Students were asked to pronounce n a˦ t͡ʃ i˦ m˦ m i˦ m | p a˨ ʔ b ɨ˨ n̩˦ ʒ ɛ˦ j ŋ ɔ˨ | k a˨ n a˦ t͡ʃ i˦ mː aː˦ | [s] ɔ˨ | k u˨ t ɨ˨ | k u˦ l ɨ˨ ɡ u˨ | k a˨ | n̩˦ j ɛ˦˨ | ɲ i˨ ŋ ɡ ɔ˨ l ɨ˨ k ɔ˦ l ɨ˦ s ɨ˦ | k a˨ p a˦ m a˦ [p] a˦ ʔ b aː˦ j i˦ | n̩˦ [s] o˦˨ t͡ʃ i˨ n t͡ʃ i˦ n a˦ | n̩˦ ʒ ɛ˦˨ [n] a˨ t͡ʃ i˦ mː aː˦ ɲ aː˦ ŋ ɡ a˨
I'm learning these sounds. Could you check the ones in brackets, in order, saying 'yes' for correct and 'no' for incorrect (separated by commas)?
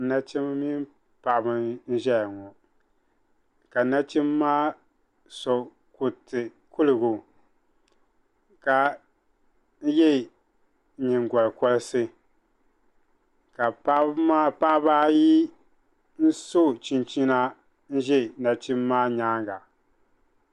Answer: yes, yes, yes, yes